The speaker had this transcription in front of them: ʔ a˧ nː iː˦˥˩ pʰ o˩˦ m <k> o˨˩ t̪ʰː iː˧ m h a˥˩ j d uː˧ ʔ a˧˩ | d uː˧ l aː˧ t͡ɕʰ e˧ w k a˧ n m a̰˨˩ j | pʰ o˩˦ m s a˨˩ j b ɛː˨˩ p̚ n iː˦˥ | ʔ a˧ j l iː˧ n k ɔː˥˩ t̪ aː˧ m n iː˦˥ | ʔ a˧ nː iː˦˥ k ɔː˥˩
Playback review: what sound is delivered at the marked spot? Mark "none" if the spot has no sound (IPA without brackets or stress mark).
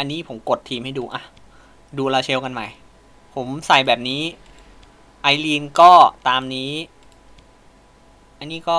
k